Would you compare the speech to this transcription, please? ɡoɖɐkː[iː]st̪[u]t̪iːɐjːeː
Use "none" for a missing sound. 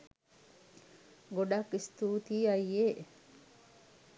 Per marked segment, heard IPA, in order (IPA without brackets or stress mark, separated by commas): i, uː